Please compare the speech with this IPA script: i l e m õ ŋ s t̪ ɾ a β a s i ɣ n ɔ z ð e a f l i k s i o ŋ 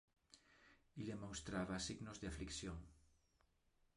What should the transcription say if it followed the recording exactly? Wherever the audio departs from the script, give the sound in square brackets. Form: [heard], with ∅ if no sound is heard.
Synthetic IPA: i l e m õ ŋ s t̪ ɾ a β a s i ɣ n [o] z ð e a f l i k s [j] o ŋ